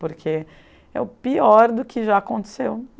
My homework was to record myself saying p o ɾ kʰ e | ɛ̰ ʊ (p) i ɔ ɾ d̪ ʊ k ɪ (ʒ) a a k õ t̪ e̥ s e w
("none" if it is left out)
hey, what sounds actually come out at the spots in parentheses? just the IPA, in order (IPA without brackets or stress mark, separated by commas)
p, ʒ